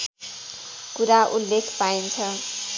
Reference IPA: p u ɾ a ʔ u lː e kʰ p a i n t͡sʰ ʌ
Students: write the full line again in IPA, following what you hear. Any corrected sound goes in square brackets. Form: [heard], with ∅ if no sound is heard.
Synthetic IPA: [k] u ɾ a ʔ u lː e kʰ p a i n t͡sʰ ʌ